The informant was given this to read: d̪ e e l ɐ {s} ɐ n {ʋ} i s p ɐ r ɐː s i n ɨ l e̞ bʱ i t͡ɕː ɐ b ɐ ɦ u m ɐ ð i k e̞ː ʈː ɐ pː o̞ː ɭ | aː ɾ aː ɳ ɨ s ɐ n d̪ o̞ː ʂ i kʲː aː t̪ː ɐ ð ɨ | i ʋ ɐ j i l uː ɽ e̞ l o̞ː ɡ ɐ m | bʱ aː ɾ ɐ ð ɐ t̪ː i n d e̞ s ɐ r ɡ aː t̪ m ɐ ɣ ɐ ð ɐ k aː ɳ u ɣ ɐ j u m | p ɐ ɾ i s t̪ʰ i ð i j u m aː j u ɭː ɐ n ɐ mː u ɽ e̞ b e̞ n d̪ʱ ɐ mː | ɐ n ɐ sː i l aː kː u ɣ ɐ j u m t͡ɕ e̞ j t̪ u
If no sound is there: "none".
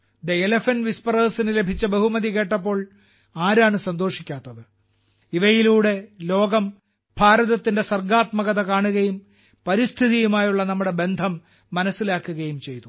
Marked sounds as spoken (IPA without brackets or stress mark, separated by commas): f, ʋ